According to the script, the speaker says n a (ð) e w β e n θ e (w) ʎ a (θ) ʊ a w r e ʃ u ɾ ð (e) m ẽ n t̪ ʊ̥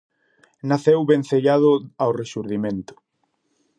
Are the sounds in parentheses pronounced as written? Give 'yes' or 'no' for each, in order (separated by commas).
no, no, no, no